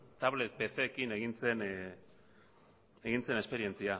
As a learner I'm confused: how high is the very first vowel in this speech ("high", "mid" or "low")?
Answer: low